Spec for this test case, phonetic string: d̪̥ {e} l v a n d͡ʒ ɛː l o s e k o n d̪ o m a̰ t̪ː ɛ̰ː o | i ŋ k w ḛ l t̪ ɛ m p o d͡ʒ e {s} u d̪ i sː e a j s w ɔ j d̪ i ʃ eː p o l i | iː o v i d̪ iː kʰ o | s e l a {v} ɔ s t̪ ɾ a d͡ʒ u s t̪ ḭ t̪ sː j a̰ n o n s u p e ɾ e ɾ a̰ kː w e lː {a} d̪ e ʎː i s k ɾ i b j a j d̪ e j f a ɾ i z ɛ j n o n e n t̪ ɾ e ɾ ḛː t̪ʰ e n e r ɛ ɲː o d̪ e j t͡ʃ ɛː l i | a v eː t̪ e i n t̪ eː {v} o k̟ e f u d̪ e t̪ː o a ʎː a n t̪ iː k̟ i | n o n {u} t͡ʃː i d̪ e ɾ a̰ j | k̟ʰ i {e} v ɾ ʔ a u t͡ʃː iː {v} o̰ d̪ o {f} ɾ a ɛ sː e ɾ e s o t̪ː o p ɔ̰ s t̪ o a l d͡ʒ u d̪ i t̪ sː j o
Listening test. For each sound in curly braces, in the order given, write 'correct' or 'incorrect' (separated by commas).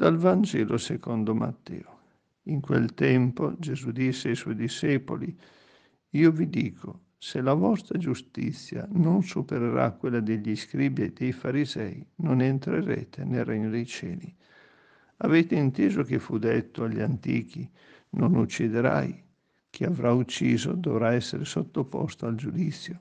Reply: incorrect, incorrect, correct, correct, incorrect, correct, incorrect, incorrect, incorrect